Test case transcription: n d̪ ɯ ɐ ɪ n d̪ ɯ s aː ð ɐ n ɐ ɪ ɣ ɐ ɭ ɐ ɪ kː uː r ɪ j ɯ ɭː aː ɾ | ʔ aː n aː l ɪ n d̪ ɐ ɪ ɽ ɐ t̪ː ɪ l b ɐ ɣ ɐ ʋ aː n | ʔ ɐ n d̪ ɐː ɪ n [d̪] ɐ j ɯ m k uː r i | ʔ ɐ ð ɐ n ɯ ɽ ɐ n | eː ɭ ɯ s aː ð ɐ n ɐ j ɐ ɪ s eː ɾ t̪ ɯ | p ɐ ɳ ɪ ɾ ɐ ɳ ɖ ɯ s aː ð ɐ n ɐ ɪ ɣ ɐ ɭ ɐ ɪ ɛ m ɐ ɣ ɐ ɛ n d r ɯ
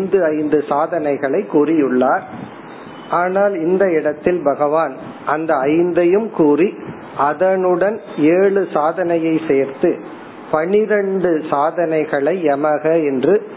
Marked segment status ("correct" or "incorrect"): correct